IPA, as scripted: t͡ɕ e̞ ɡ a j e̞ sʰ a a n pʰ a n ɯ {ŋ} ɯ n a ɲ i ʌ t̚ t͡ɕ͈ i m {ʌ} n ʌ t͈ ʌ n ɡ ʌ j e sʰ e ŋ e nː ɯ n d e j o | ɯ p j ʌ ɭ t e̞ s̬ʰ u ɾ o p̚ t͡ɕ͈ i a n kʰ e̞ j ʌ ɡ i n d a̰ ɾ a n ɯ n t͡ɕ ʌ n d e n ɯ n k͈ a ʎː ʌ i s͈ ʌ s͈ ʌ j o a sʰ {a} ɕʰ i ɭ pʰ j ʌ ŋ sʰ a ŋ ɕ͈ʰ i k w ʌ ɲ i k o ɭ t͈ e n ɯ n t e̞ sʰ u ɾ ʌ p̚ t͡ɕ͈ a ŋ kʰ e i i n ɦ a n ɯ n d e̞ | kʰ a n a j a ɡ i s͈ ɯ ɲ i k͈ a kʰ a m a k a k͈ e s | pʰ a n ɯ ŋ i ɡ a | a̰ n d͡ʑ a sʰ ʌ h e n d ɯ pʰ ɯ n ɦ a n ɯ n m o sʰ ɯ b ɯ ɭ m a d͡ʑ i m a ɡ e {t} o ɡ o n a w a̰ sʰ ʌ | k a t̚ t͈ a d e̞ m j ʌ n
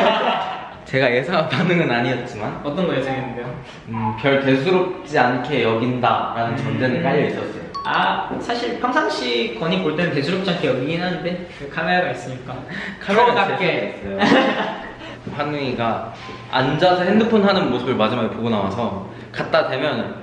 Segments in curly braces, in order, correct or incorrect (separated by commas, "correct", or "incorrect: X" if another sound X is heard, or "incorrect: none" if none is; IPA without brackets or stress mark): correct, incorrect: a, correct, incorrect: p